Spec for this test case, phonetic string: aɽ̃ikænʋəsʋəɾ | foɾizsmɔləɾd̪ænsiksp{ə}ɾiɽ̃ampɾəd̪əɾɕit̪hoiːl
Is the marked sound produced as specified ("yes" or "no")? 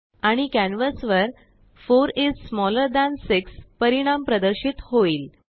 yes